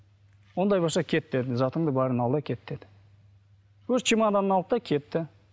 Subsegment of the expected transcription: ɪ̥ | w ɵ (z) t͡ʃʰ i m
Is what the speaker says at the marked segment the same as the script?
yes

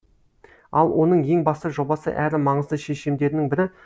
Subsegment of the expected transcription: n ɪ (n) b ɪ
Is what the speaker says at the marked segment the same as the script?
no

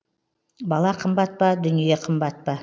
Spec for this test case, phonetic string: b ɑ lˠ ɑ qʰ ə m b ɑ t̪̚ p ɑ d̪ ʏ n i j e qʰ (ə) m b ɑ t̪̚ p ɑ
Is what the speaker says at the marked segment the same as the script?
yes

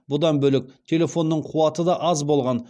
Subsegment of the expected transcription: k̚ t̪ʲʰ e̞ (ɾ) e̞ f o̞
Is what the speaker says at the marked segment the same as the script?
no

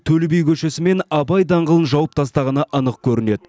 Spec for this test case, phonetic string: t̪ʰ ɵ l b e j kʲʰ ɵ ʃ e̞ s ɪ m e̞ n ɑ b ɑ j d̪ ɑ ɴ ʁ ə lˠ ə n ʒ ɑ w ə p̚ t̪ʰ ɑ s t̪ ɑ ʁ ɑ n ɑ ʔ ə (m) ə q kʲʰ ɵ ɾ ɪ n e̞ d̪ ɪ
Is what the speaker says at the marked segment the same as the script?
no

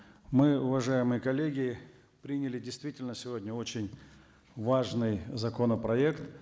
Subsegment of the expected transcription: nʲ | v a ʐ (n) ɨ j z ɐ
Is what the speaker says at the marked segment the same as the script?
yes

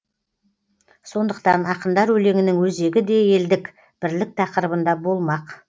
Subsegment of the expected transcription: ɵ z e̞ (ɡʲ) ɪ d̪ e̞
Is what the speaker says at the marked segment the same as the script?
yes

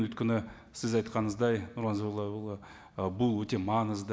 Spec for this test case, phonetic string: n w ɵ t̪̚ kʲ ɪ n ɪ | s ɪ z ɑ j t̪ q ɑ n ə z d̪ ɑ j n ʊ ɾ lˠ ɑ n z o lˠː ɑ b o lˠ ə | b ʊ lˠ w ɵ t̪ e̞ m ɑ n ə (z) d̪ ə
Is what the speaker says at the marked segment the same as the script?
yes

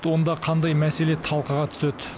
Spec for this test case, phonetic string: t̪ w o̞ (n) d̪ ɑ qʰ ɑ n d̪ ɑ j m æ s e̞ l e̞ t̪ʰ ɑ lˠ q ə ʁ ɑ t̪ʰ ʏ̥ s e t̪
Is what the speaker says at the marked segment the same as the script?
yes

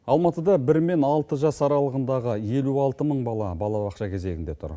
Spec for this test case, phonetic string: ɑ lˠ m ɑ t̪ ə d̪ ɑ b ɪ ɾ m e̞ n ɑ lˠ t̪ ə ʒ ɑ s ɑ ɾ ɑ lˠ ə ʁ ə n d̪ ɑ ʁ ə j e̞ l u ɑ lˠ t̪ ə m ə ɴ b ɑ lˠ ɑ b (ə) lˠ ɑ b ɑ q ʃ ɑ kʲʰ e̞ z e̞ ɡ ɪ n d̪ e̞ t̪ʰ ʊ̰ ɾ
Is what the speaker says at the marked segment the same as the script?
no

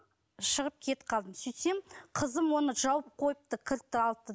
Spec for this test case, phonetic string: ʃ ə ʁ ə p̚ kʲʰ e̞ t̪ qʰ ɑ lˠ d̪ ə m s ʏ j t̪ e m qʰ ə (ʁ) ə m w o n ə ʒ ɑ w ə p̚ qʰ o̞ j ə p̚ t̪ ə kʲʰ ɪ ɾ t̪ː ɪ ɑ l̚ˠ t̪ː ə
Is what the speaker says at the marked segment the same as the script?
no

